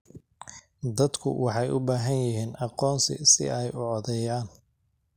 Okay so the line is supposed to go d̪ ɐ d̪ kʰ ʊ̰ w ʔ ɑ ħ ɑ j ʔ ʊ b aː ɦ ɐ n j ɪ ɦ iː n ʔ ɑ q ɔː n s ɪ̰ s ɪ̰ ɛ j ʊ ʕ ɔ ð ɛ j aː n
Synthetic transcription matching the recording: d̪ ɐ d̪ kʰ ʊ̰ w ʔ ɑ ħ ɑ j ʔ ʊ b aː ɦ ɐ n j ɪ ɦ iː n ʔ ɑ q ɔː n s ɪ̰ s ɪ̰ ɛ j ʊ ʕ ɔ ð ɛ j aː n